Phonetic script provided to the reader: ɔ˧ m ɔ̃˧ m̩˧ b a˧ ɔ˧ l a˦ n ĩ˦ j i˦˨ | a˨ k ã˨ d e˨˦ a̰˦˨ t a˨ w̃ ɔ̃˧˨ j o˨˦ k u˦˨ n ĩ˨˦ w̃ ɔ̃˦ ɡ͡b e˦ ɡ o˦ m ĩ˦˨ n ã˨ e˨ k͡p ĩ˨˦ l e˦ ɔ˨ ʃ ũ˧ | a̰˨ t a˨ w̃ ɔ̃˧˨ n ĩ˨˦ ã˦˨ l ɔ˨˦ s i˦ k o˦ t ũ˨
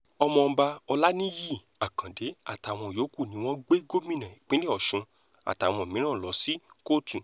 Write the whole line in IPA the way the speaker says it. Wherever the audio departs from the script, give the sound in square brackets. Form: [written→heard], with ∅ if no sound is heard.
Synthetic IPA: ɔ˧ m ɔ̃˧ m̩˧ b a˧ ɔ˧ l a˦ n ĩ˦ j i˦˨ | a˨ k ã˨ d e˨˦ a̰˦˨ t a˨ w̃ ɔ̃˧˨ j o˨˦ k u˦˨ n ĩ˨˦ w̃ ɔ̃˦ ɡ͡b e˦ ɡ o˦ m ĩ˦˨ n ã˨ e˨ k͡p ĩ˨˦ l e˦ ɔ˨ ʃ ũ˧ | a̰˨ t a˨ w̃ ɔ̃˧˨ [n→m] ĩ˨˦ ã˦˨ l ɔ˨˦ s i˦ k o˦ t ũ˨